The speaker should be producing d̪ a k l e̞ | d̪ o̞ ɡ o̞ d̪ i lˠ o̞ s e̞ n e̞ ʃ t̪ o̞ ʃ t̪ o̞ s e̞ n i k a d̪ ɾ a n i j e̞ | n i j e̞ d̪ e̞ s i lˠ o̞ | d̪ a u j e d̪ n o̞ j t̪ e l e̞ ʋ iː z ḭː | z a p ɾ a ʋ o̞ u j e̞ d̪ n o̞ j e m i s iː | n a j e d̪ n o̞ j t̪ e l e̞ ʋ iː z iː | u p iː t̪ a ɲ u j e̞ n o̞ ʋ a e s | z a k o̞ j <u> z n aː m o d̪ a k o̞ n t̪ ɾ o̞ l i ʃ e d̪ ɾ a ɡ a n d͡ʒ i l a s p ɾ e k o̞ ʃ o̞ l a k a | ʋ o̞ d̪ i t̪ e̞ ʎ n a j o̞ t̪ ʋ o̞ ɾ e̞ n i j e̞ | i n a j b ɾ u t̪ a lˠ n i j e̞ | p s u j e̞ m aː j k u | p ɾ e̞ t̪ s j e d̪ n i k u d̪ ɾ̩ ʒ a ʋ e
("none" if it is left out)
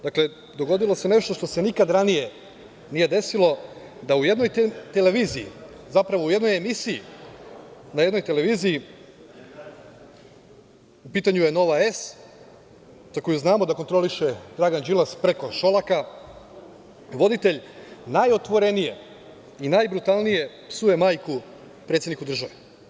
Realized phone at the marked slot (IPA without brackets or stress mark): u